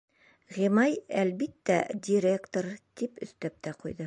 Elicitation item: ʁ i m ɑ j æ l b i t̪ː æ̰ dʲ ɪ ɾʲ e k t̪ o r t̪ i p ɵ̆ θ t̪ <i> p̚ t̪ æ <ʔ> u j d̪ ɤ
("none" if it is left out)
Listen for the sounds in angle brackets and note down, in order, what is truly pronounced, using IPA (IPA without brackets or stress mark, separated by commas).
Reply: æ, q